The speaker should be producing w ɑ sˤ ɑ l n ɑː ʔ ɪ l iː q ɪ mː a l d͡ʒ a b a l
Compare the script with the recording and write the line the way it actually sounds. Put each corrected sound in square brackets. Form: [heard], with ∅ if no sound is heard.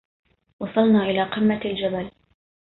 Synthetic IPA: w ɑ sˤ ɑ l n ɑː ʔ ɪ l [aː] q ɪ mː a l d͡ʒ a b a l